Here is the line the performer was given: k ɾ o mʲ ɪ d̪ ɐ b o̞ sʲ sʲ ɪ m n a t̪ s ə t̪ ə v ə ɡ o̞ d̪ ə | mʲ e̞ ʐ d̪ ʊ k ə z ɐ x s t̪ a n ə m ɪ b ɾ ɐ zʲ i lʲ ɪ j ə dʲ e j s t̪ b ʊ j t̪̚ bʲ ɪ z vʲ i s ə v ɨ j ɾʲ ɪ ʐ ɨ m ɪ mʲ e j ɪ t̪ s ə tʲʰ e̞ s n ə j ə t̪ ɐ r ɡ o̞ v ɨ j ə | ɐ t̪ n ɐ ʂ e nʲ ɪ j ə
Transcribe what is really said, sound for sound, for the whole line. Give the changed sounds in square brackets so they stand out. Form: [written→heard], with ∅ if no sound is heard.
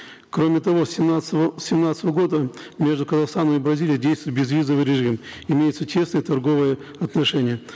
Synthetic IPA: k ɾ o mʲ ɪ [d̪→t̪] ɐ [b→v] o̞ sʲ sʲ ɪ m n a t̪ s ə t̪ ə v ə ɡ o̞ d̪ ə | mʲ e̞ ʐ d̪ ʊ k ə z ɐ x s t̪ a n ə m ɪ b ɾ ɐ zʲ i lʲ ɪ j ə dʲ e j s t̪ [b→v] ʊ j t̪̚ bʲ ɪ z vʲ i [s→z] ə v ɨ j ɾʲ ɪ ʐ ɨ m ɪ mʲ e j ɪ t̪ s ə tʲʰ e̞ s n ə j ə t̪ ɐ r ɡ o̞ v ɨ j ə | ɐ t̪ n ɐ ʂ [e→ɛ] nʲ ɪ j ə